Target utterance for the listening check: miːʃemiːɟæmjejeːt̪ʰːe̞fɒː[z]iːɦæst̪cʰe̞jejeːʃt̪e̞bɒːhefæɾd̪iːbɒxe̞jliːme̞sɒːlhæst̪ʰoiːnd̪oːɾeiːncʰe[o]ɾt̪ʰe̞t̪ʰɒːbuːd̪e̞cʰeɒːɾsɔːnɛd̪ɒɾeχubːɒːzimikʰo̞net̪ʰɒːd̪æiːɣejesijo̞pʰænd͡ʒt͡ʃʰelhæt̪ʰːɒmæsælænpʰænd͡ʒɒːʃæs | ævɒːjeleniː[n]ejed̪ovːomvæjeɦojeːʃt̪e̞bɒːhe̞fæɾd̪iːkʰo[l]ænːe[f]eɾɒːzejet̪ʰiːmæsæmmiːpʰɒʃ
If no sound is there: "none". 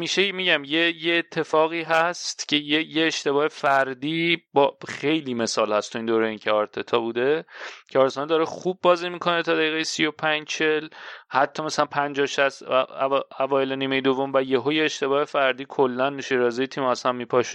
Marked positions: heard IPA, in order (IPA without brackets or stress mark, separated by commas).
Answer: ɣ, ɒ, m, lː, ʃ